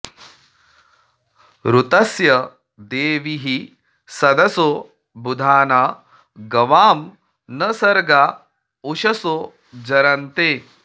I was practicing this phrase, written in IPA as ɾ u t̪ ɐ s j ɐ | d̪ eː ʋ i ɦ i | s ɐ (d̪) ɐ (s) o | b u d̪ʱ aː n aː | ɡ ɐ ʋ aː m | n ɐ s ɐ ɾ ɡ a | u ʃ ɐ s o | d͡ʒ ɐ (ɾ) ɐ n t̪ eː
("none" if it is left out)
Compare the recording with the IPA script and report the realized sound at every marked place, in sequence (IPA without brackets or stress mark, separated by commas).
d̪, s, ɾ